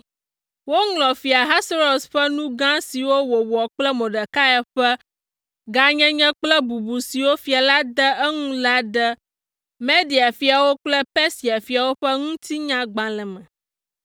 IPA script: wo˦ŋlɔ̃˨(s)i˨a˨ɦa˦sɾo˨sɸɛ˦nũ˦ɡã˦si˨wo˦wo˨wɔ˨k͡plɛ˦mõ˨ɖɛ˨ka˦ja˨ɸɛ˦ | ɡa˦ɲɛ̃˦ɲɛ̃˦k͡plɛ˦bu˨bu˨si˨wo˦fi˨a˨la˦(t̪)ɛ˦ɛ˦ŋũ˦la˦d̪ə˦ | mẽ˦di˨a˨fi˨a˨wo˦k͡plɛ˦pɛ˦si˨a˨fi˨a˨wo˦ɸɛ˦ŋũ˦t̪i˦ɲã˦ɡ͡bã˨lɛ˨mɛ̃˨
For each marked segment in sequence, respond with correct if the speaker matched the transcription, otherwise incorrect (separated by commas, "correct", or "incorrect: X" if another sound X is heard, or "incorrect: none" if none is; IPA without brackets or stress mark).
incorrect: f, incorrect: d̪